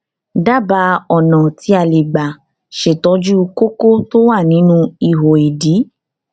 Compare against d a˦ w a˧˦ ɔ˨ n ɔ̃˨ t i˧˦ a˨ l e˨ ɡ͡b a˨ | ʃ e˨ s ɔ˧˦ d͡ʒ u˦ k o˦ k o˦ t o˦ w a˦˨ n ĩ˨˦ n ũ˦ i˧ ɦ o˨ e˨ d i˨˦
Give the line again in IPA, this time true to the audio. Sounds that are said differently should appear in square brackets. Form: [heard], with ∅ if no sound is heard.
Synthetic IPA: d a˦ [b] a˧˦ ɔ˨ n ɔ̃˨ t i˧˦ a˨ l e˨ ɡ͡b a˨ | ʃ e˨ [t] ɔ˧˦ d͡ʒ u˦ k o˦ k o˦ t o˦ w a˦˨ n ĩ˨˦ n ũ˦ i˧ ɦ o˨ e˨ d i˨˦